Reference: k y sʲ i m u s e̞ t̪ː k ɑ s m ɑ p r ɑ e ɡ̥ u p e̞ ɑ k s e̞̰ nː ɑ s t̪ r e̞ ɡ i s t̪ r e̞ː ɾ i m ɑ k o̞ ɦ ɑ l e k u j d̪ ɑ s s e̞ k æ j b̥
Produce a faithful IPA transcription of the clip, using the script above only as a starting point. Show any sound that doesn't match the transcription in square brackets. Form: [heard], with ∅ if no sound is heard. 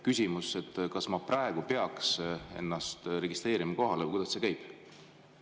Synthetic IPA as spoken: k y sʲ i m u s e̞ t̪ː k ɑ s m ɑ p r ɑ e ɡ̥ u p e̞ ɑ k s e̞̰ nː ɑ s t̪ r e̞ ɡ i s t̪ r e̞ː ɾ i m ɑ k o̞ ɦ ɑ l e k u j d̪ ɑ s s e̞ k æ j b̥